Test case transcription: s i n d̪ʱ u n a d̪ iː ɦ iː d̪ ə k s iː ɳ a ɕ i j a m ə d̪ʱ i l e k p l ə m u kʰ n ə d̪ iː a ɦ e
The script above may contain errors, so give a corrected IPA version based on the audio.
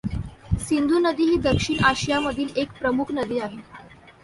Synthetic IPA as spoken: s i n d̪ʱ u n ə d̪ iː ɦ iː d̪ ə k ʂ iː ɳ a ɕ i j a m ə d̪ʱ iː l e k p ɾ ə m u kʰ n ə d̪ iː a ɦ e